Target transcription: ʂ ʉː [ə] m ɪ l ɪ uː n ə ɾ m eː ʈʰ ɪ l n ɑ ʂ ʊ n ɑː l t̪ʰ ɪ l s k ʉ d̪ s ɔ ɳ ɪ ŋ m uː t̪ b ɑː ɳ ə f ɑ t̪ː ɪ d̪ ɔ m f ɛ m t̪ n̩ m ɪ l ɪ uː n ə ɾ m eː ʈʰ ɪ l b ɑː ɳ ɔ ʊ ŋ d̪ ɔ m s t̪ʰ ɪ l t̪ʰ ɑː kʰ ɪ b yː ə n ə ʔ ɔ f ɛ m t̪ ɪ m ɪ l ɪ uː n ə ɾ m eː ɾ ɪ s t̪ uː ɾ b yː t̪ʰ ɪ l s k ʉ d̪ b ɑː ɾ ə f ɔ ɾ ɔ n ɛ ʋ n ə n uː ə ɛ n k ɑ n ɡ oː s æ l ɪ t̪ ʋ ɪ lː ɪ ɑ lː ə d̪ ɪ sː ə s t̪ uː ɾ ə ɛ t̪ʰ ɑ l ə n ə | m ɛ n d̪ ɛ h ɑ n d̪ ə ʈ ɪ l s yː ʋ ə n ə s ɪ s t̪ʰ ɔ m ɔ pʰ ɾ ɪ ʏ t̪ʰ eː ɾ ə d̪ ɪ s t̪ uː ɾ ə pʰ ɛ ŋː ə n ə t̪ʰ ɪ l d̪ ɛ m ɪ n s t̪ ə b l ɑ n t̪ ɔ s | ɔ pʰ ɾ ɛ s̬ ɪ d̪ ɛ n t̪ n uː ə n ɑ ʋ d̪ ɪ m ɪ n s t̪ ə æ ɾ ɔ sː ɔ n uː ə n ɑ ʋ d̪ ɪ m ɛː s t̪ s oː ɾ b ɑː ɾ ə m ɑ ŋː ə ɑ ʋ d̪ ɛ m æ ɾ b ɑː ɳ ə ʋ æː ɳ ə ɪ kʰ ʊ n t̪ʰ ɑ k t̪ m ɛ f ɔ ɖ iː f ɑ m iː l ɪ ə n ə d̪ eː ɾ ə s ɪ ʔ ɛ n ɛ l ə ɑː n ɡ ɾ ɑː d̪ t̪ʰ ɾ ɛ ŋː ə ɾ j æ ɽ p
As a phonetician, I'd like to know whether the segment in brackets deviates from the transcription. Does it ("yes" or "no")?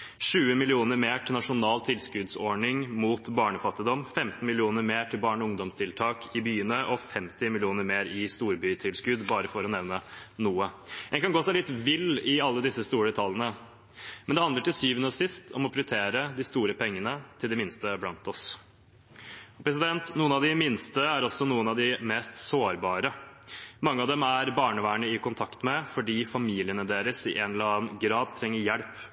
no